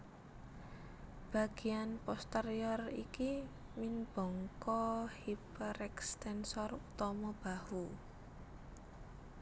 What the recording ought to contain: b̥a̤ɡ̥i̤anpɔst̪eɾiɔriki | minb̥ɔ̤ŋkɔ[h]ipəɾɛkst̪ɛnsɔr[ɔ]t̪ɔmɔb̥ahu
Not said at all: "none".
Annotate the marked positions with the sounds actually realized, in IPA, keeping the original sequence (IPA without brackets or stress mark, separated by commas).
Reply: h, u